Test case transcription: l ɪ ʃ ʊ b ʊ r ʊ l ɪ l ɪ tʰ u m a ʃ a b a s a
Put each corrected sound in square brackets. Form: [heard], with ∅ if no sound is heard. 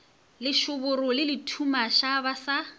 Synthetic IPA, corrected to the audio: l ɪ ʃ ʊ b ʊ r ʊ l ɪ l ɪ tʰ u m a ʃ a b a s a